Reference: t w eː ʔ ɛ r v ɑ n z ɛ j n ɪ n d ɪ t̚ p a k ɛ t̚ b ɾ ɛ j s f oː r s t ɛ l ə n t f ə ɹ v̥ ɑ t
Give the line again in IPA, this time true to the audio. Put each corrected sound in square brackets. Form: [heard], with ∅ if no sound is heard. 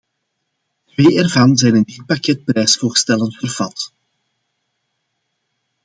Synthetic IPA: t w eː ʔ ɛ r v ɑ n z ɛ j n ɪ n d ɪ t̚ p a k ɛ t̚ [p] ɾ ɛ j s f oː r s t ɛ l ə n t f ə [r] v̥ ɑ t